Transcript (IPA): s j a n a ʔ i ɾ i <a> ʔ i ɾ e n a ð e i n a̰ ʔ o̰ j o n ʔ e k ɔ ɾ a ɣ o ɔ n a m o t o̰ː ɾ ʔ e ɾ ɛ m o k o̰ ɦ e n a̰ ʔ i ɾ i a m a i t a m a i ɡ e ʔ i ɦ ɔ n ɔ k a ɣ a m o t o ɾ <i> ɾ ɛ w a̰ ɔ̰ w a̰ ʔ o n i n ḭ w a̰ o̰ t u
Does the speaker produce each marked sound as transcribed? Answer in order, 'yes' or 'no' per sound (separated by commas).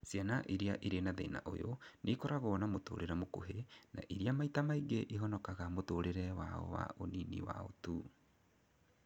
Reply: yes, no